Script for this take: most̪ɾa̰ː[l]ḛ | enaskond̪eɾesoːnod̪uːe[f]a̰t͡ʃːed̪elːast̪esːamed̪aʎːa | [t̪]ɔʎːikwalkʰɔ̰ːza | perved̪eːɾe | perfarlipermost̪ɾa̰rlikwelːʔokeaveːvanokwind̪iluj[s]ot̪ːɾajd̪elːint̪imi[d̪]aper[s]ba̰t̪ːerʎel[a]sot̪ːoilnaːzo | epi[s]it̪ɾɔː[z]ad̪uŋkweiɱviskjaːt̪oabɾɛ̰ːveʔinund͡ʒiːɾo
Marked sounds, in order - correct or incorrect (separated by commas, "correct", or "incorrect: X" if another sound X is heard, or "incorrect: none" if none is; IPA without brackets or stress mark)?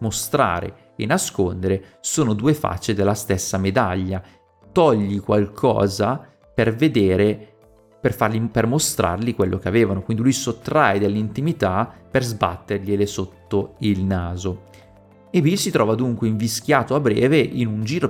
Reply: incorrect: ɾ, correct, correct, correct, incorrect: t̪, incorrect: z, incorrect: e, correct, incorrect: v